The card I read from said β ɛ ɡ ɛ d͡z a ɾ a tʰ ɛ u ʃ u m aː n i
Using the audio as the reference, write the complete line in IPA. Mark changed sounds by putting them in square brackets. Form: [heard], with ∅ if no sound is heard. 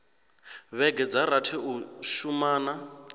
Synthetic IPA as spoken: β ɛ ɡ ɛ d͡z a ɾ a tʰ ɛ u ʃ u m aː n [a]